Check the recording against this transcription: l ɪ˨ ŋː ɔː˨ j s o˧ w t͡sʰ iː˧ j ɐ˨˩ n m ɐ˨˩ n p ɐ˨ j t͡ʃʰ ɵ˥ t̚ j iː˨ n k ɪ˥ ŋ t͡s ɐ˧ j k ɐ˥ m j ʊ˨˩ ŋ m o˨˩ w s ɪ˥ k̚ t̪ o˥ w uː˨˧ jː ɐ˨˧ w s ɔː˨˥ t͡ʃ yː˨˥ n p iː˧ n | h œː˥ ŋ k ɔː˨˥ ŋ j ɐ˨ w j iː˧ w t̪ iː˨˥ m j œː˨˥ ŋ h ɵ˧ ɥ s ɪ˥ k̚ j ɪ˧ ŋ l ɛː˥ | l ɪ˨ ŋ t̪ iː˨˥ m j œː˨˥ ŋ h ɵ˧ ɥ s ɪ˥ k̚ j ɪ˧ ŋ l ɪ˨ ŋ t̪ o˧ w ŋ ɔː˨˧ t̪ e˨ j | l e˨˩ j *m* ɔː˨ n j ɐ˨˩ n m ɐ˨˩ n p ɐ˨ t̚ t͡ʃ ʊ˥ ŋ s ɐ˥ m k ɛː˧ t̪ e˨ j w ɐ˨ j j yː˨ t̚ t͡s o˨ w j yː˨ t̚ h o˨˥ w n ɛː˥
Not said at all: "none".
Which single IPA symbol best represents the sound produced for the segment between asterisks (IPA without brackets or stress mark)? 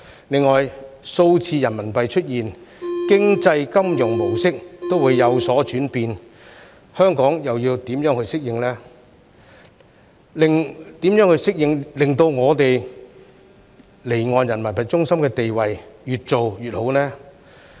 ŋ